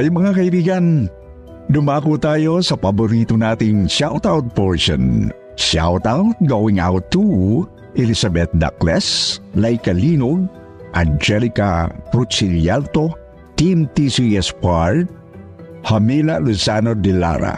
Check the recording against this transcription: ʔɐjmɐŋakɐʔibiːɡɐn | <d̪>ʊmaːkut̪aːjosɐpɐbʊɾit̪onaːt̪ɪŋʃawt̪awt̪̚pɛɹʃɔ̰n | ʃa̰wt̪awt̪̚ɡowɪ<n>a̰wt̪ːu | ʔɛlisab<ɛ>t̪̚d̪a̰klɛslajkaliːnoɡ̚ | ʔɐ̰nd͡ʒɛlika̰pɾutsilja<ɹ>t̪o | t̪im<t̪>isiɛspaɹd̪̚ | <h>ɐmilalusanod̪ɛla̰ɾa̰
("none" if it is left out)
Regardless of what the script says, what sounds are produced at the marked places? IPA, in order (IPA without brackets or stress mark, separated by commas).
d̪, ŋ, ɛ, l, t̪, h